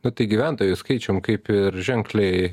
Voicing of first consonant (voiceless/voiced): voiced